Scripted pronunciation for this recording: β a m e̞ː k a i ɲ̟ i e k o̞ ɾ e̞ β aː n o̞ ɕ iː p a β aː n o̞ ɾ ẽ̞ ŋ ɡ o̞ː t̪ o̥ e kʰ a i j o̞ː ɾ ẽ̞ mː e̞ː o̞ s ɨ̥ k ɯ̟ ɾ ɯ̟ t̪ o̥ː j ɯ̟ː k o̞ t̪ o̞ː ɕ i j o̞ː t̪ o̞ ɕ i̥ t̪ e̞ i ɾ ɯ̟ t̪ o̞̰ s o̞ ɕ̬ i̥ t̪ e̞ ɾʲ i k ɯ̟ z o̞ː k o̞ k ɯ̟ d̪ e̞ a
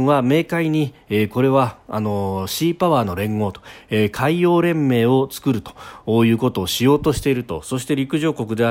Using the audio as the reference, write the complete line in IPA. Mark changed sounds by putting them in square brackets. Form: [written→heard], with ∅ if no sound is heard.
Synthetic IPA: β a m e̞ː k a i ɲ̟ i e k o̞ ɾ e̞ β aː n o̞ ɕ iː p a β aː n o̞ ɾ ẽ̞ ŋ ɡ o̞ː t̪ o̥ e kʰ a i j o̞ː ɾ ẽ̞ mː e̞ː o̞ [s→t͡s] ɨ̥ k ɯ̟ ɾ ɯ̟ t̪ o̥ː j ɯ̟ː k o̞ t̪ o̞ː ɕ i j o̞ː t̪ o̞ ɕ i̥ t̪ e̞ i ɾ ɯ̟ t̪ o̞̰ s o̞ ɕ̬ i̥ t̪ e̞ ɾʲ i k ɯ̟ [z→ʑ] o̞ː k o̞ k ɯ̟ d̪ e̞ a